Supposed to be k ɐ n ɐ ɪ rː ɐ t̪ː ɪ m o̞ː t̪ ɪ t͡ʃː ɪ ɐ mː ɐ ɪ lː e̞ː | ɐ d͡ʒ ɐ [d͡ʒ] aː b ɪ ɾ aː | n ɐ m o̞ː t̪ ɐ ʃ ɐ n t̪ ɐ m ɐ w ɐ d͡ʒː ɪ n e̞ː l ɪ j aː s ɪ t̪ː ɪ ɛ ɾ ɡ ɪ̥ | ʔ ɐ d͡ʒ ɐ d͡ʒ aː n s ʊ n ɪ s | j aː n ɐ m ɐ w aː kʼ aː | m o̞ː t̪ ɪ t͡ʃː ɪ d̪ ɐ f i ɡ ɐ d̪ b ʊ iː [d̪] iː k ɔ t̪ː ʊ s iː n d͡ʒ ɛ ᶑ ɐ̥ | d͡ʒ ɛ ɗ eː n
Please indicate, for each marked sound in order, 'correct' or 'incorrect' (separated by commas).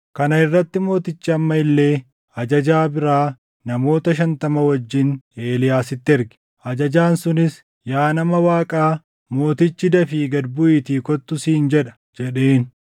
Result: correct, incorrect